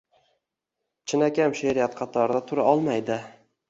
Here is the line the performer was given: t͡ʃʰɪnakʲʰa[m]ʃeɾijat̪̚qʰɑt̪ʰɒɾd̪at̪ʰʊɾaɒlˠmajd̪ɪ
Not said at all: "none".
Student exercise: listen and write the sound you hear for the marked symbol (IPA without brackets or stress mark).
m